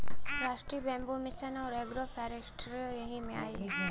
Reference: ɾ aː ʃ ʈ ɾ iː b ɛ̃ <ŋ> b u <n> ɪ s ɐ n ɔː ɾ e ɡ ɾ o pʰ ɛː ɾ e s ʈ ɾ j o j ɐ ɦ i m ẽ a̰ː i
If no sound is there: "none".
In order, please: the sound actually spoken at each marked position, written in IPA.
m, m

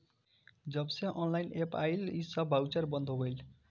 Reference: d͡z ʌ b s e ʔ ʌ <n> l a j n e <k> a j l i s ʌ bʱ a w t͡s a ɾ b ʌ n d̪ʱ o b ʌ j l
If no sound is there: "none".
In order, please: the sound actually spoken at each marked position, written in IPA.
n, p

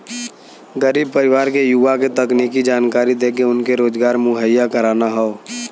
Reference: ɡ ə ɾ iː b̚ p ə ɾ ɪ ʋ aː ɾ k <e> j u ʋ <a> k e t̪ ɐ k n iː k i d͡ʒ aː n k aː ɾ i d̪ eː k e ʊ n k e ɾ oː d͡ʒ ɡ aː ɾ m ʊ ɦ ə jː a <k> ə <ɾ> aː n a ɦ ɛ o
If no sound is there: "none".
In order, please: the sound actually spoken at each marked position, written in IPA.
e, a, k, ɾ

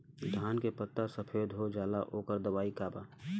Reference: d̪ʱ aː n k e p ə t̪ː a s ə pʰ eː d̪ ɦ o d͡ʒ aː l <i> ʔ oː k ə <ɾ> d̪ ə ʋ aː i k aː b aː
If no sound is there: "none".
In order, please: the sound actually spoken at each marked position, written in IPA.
a, ɾ

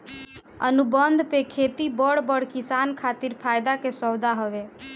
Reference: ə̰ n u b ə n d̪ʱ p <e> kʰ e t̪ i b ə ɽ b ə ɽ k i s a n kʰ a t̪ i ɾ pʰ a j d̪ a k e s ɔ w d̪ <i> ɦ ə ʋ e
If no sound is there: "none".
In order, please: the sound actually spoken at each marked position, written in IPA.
e, a

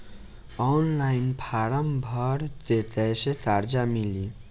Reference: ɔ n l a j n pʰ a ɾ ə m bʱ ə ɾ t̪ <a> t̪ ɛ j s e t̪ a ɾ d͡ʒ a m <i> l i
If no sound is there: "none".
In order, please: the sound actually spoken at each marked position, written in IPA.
e, i

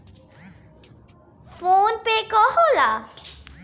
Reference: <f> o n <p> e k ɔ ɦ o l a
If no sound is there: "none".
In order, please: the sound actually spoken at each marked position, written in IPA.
f, p

